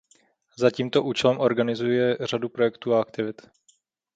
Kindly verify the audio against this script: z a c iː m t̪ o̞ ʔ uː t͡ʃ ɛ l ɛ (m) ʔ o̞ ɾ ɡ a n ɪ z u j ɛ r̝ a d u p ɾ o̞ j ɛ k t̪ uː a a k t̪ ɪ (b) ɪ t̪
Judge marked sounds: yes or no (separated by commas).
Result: yes, no